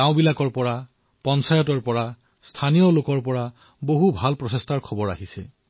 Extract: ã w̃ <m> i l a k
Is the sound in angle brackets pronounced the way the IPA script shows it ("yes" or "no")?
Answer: no